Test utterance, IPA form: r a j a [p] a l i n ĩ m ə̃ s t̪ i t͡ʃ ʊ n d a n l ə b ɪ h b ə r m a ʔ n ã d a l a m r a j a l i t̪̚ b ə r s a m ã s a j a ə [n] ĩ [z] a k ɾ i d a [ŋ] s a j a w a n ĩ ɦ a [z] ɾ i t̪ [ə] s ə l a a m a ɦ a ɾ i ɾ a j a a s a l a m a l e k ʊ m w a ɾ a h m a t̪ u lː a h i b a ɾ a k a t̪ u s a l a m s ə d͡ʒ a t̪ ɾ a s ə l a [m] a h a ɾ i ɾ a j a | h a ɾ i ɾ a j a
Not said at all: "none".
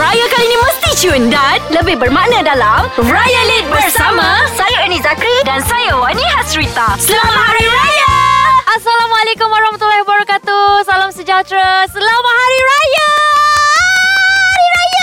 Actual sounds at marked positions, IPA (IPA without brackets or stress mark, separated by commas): k, n, z, n, s, a, m